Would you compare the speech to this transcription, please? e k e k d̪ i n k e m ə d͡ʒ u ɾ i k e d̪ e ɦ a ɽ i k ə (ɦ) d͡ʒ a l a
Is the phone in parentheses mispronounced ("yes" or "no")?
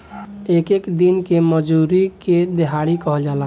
no